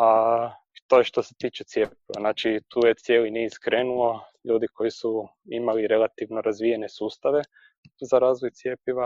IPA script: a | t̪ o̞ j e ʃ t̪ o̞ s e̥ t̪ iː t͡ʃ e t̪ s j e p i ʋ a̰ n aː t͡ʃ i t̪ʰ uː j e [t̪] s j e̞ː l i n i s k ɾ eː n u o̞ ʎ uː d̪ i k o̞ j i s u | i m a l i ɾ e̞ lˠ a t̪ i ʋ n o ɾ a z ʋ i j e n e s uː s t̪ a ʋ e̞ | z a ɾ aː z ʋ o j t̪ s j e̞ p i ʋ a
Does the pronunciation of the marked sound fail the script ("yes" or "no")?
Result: no